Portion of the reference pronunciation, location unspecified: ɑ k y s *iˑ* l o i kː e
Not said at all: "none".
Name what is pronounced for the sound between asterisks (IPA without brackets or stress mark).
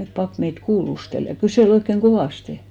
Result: eˑ